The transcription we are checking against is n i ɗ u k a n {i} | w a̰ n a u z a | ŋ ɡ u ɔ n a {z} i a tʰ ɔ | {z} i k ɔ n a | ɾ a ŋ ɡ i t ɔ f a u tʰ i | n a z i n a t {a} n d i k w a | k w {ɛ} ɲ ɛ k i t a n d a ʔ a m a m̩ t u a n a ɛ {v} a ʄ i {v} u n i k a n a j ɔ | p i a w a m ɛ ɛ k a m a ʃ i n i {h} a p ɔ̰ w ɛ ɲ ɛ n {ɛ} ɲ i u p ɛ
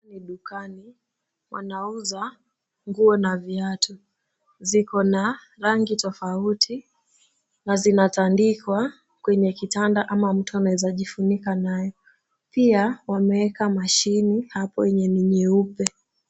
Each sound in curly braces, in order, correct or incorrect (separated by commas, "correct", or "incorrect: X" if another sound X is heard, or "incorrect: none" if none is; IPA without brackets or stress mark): correct, incorrect: v, correct, correct, correct, incorrect: z, incorrect: f, correct, incorrect: i